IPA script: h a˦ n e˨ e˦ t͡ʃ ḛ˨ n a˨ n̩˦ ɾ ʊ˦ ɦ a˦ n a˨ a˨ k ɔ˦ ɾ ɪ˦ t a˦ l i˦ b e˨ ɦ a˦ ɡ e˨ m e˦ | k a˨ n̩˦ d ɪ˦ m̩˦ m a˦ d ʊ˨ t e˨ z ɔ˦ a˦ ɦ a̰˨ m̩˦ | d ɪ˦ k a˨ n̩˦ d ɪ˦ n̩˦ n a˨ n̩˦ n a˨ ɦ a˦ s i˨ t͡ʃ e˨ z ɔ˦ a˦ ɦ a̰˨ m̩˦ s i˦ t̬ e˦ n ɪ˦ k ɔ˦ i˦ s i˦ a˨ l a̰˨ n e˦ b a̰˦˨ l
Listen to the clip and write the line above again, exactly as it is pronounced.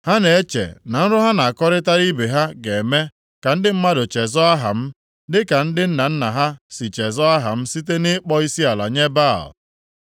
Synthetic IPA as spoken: h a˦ n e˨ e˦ t͡ʃ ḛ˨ n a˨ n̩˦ ɾ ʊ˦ ɦ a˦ n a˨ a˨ k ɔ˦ ɾ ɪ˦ t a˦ ɾ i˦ b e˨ ɦ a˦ ɡ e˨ m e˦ | k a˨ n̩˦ d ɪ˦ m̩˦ m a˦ d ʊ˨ t͡ʃ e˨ z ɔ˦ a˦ ɦ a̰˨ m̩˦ | d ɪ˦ k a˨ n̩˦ d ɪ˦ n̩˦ n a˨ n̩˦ n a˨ ɦ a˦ s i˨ t͡ʃ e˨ z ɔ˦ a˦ ɦ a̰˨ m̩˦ s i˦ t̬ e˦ n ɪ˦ k͡p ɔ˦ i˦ s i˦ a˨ l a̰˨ ɲ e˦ b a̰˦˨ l